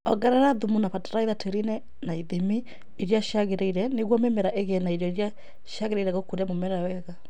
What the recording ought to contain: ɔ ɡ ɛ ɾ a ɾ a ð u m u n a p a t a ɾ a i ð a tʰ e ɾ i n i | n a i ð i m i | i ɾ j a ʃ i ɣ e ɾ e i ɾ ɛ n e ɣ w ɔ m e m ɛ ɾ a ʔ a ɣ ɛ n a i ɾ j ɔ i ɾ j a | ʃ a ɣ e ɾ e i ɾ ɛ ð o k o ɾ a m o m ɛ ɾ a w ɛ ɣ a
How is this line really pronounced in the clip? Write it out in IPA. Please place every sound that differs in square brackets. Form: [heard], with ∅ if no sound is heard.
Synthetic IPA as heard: ɔ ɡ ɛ ɾ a ɾ a ð u m u n a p a t a ɾ a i ð a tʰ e ɾ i n [ɛ] | n a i ð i m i | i ɾ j a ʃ [a] ɣ e ɾ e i ɾ ɛ n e ɣ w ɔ m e m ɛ ɾ a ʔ [e] ɣ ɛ n a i ɾ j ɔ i ɾ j a | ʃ a ɣ e ɾ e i ɾ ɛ [ɣ] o k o ɾ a m o m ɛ ɾ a w ɛ ɣ a